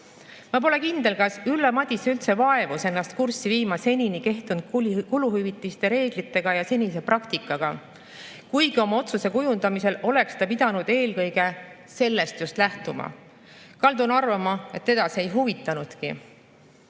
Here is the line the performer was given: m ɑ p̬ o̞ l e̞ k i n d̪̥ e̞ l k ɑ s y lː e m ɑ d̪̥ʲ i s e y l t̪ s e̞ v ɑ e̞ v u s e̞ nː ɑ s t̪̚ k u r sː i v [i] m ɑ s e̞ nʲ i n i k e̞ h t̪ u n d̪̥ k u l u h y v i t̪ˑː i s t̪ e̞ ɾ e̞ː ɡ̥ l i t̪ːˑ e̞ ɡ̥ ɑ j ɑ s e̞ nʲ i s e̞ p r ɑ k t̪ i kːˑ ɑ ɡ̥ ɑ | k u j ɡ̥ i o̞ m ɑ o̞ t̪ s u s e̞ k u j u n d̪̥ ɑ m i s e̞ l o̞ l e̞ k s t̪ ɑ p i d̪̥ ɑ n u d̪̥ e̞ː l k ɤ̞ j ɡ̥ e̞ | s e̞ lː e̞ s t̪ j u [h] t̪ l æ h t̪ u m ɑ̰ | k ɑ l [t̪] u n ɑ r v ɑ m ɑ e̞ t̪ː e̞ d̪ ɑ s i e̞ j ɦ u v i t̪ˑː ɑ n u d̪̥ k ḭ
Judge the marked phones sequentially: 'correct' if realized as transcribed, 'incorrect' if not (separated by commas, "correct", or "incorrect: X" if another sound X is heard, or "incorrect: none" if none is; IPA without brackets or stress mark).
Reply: incorrect: iː, incorrect: s, incorrect: d̪